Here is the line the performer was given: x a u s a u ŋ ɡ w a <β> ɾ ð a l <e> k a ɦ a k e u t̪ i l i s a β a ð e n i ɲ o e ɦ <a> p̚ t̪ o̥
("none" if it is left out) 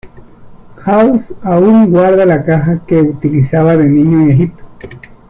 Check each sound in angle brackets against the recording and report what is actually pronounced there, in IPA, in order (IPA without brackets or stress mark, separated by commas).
none, a, i